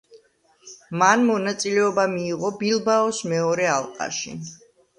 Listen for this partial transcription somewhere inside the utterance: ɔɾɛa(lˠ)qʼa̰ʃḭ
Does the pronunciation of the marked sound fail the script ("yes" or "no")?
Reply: no